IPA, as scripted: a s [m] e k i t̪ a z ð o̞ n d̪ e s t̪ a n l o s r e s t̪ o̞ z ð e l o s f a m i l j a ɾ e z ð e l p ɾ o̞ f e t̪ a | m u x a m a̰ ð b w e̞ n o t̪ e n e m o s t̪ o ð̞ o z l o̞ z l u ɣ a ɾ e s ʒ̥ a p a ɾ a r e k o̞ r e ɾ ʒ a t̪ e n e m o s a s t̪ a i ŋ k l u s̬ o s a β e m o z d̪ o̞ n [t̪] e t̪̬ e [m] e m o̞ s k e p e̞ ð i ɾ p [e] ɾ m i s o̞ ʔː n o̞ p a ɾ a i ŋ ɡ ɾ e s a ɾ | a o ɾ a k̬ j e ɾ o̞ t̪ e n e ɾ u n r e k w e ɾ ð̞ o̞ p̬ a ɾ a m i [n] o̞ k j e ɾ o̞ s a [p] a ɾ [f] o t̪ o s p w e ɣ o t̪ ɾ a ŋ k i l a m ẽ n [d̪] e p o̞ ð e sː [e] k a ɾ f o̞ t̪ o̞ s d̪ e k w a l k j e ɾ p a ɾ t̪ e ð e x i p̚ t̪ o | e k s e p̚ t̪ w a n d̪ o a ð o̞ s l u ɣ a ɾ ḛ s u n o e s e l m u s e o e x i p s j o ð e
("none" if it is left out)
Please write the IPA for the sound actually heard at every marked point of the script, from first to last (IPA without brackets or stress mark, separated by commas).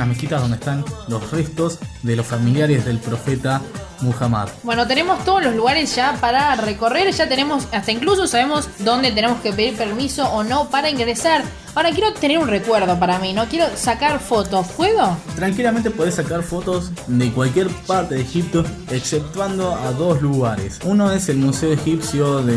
m, d̪, n, e, n, k, f, t̪, a